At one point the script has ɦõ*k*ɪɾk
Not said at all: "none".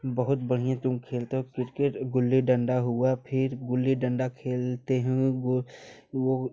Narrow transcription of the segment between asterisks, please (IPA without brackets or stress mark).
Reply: k